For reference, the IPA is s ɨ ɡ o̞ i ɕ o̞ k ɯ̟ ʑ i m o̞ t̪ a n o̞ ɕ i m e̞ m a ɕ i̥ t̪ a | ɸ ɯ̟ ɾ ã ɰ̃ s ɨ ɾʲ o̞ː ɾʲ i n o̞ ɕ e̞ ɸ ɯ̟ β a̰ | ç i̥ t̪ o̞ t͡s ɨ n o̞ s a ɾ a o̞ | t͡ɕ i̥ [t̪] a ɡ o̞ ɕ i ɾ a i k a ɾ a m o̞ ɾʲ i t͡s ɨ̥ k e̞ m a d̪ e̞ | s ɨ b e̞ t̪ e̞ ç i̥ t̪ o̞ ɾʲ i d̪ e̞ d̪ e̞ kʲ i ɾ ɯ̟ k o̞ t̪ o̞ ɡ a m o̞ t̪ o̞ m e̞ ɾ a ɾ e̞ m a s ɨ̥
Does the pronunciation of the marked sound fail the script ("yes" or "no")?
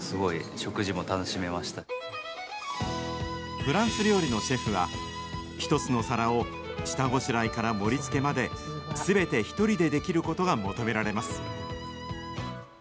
no